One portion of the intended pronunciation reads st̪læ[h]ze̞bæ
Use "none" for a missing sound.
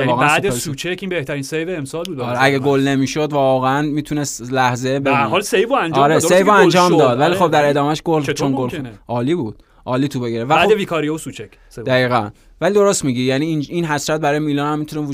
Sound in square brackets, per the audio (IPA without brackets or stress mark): h